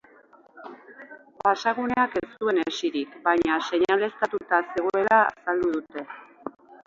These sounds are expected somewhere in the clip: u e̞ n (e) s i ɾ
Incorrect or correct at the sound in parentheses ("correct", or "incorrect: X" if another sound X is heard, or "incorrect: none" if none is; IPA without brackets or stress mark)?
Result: correct